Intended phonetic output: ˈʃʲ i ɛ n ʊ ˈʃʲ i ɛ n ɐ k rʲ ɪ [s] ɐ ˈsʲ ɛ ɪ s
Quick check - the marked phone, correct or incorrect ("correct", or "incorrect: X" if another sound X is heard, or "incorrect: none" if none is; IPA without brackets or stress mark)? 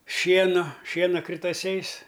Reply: incorrect: t